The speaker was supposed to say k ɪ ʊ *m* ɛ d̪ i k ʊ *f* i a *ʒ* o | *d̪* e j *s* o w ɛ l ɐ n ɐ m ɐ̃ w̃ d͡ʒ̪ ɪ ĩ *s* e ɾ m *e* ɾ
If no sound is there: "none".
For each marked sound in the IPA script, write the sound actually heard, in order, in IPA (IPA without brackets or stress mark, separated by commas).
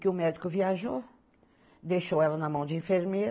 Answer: m, v, ʒ, d̪, ʃ, f, e